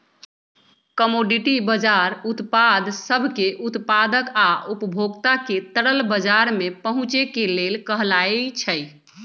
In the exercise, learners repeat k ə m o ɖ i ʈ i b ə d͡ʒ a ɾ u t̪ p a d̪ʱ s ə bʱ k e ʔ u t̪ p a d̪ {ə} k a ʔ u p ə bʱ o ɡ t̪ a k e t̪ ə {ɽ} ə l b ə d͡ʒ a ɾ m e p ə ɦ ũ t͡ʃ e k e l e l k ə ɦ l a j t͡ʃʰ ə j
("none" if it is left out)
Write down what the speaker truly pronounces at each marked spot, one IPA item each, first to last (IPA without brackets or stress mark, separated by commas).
ə, ɽ